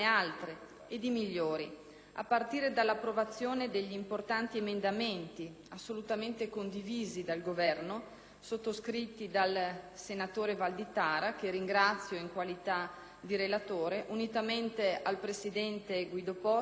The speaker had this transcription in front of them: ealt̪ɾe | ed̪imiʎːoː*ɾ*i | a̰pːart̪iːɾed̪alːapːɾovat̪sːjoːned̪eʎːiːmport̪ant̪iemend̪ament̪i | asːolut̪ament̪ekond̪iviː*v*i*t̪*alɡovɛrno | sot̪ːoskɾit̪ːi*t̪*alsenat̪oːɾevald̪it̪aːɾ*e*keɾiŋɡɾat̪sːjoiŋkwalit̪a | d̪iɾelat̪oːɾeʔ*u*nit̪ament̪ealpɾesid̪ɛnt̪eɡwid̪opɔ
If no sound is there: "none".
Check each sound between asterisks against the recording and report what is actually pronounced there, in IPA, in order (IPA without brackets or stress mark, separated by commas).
ɾ, z, d̪, d̪, a, u